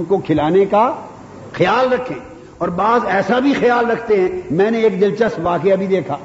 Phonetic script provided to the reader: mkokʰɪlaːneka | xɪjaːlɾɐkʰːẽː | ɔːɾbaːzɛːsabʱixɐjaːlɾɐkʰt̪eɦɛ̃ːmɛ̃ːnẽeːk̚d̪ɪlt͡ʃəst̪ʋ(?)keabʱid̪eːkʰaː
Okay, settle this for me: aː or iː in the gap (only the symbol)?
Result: aː